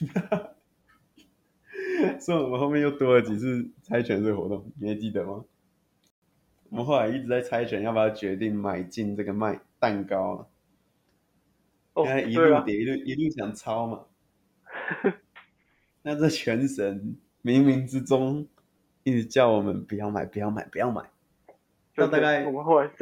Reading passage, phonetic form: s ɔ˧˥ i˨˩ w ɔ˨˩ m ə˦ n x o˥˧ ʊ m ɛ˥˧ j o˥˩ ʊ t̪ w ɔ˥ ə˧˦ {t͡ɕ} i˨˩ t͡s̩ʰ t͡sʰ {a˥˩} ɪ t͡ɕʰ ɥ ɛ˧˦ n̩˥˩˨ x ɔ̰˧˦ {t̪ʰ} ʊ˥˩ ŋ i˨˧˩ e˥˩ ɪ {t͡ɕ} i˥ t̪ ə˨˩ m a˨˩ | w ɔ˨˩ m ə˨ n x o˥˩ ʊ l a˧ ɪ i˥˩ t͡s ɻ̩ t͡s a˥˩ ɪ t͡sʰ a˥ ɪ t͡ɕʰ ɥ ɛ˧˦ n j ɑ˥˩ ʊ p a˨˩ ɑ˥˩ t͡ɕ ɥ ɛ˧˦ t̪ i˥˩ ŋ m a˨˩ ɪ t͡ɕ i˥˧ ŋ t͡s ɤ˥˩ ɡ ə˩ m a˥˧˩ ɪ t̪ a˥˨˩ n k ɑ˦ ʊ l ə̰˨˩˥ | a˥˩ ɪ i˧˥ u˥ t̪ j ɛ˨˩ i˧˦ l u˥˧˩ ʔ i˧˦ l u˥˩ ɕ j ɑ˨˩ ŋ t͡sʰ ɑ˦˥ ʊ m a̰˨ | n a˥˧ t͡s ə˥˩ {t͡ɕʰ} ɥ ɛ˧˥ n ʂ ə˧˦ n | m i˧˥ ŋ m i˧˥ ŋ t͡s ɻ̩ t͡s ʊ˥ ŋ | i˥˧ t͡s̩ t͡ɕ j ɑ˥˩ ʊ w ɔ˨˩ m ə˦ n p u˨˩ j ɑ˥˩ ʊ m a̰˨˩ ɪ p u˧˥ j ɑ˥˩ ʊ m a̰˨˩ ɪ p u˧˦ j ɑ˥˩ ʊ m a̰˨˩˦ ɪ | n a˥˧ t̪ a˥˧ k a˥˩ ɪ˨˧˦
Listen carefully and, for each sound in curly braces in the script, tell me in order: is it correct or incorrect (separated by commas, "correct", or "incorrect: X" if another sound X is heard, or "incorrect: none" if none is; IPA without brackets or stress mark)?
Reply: correct, incorrect: a˥, incorrect: t̪, correct, correct